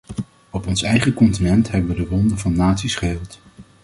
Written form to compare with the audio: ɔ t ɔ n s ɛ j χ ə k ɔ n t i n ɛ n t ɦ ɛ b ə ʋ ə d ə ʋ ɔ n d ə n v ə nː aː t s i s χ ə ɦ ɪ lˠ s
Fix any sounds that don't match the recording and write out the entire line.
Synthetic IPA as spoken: ɔ p ɔ n s ɛ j χ ə k ɔ n t i n ɛ n t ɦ ɛ b ə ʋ ə d ə ʋ ɔ n d ə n v ɑ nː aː t s i s χ ə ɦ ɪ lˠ t